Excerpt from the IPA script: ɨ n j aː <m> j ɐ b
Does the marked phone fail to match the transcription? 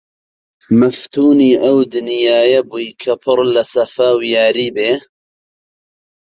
yes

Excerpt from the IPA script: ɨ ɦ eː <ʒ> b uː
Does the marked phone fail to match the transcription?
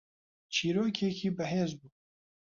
yes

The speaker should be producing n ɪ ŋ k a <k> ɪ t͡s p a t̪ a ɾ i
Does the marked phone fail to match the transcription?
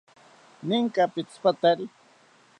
yes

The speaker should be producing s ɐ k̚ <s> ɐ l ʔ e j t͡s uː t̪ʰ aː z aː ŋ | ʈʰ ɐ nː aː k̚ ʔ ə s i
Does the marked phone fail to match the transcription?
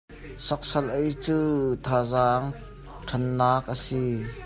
no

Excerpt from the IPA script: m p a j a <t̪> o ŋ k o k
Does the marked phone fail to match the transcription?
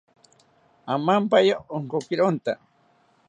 yes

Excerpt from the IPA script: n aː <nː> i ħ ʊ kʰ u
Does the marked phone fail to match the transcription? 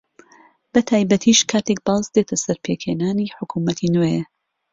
yes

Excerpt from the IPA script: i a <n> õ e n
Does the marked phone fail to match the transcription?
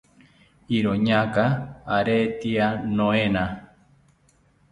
no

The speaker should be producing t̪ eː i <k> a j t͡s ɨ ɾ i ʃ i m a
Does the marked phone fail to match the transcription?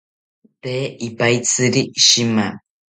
yes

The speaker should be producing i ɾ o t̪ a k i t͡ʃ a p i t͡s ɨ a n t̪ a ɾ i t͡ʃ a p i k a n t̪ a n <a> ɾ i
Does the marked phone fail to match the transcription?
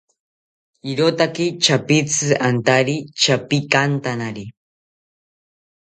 no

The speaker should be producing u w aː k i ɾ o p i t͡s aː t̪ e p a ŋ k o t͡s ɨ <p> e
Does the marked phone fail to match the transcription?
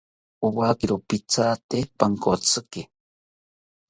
yes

